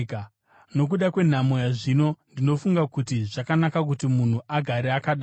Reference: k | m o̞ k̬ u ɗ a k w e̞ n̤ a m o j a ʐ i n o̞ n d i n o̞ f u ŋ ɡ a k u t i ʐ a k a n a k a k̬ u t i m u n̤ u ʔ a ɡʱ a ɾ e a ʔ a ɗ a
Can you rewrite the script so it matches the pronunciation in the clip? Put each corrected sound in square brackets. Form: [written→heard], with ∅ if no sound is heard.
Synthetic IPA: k | [m→n] o̞ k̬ u ɗ a k w e̞ n̤ a m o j a ʐ i n o̞ n d i n o̞ f u ŋ ɡ a k u t i ʐ a k a n a k a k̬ u t i m u n̤ u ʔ a ɡʱ a ɾ e a [ʔ→k] a ɗ a